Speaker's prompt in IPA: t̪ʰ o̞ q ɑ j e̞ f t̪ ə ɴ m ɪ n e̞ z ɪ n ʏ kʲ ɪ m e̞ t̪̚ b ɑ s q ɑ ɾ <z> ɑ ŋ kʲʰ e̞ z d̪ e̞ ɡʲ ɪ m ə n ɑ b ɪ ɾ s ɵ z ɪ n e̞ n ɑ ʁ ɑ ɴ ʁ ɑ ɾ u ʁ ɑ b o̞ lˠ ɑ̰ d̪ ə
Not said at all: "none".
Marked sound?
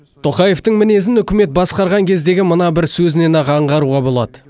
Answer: ʁ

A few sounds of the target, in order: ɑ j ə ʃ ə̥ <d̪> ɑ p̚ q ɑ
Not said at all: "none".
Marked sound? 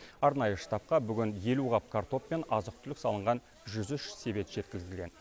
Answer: t̪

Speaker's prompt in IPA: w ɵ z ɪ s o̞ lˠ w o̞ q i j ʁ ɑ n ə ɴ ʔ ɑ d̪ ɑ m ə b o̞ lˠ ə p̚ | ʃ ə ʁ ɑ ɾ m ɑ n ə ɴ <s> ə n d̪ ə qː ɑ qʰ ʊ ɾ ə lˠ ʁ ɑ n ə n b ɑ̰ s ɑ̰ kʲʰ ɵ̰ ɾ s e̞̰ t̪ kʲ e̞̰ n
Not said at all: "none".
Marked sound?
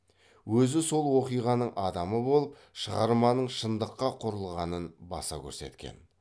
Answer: ʃ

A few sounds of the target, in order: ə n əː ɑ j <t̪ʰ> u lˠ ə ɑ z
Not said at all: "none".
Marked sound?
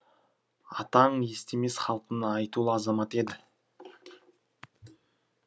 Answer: t̪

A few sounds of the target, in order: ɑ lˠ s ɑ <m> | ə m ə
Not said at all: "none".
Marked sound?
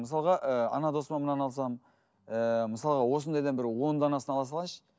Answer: m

